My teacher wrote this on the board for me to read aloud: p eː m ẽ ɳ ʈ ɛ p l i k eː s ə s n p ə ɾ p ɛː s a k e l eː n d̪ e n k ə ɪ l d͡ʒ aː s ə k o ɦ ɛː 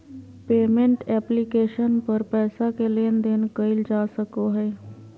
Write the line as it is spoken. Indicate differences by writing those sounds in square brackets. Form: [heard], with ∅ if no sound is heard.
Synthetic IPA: p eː m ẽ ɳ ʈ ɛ p l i k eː [ʃ] ə [∅] n p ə ɾ p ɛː s a k e l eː n d̪ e n k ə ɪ l d͡ʒ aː s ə k o ɦ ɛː